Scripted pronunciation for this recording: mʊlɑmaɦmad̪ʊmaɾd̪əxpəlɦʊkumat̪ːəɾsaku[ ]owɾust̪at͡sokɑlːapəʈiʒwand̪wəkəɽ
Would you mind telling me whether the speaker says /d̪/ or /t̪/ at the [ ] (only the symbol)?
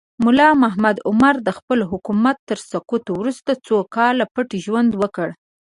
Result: t̪